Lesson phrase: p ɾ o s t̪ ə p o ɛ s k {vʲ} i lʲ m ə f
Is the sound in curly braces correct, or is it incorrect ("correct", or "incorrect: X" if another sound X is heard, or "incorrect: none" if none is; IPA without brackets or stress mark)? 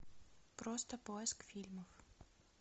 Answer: incorrect: fʲ